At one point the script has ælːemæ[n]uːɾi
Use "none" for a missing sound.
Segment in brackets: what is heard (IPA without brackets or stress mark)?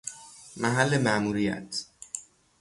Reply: m